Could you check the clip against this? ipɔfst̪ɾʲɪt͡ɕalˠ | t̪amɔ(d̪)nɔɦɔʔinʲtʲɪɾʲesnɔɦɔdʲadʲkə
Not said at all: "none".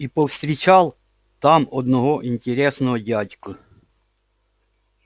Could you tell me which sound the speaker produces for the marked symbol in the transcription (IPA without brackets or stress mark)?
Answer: d̪